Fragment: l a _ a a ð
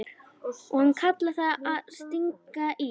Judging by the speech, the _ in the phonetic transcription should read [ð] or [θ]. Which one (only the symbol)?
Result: θ